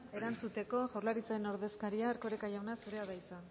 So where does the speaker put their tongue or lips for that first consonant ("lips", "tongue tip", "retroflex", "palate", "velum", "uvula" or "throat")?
tongue tip